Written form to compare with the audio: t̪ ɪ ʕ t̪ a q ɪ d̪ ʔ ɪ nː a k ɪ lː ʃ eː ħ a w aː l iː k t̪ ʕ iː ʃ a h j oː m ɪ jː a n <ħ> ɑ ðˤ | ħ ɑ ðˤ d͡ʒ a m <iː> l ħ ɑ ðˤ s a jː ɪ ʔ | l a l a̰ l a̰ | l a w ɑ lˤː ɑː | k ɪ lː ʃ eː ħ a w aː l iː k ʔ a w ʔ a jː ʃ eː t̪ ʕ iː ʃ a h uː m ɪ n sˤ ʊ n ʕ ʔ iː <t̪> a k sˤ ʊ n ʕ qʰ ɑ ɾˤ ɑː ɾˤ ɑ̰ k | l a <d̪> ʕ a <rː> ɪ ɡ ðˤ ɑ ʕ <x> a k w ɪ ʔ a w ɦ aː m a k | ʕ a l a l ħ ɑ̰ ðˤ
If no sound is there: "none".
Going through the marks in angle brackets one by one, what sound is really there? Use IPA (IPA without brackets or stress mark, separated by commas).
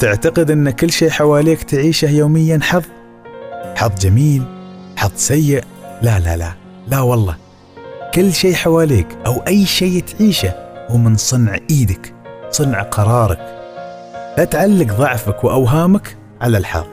ħ, iː, d̪, t̪, lː, f